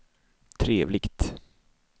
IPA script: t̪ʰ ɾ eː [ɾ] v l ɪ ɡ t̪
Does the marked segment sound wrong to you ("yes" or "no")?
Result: yes